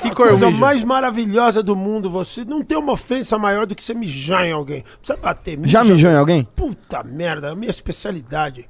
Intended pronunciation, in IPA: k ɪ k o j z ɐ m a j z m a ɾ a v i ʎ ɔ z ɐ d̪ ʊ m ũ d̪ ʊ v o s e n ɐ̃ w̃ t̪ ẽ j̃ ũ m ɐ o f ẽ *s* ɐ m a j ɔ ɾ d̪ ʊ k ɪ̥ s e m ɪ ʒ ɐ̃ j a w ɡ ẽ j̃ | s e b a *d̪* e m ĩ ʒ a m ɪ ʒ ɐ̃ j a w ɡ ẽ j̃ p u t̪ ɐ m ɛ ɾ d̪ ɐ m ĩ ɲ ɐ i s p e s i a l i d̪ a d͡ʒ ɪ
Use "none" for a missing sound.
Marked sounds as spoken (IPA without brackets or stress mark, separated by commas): s, t̪